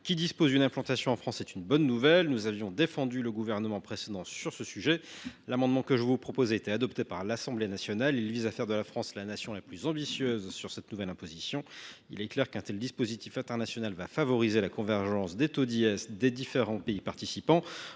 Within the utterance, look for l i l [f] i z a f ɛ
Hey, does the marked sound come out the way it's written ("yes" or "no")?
no